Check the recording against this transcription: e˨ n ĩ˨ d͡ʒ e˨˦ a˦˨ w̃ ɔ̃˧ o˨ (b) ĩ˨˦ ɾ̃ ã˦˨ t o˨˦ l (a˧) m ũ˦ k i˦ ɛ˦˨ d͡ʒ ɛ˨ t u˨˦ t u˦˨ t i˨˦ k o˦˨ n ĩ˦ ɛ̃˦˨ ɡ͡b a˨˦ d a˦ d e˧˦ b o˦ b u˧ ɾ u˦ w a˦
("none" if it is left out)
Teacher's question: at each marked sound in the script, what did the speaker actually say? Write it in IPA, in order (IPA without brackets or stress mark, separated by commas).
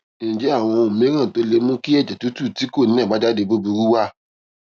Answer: m, e˧